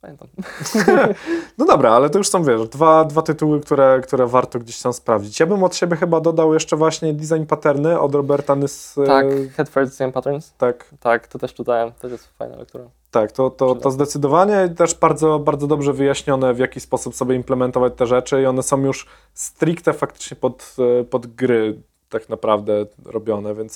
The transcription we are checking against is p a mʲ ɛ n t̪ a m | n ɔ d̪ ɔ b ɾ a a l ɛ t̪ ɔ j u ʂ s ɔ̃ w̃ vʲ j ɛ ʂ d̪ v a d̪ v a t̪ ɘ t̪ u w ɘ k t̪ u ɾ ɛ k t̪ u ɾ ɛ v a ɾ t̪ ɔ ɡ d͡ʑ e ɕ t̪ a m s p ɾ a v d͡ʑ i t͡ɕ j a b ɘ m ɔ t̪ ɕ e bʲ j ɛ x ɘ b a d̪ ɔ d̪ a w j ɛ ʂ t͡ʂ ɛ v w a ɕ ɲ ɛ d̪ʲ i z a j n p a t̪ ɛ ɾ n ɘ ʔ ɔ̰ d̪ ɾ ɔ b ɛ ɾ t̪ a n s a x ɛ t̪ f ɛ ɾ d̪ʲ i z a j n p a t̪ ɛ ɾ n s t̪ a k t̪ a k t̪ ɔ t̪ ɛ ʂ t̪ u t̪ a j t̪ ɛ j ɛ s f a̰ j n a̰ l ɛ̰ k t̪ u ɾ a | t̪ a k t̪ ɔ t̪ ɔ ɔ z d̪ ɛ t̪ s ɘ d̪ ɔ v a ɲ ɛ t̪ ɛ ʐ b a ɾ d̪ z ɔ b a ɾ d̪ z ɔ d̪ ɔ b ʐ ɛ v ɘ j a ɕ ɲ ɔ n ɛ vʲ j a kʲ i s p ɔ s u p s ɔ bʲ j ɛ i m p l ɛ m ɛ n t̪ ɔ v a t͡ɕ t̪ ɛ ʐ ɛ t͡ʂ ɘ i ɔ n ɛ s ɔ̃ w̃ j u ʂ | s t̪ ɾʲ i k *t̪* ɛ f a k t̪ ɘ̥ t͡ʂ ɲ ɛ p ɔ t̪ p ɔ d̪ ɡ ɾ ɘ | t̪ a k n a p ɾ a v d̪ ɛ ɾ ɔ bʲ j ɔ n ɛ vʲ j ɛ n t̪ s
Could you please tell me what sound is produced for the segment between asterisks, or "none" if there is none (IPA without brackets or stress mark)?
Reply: t̪